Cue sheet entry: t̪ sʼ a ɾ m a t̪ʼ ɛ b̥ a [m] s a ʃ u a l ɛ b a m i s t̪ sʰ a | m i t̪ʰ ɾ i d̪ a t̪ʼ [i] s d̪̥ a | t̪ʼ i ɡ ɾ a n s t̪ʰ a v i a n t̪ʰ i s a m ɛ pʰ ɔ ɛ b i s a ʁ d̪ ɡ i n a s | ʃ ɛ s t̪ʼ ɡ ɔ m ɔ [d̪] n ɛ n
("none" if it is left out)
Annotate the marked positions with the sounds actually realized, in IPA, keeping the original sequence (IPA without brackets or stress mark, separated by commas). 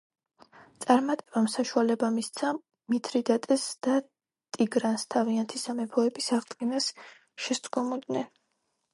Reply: m, ɛ, d̪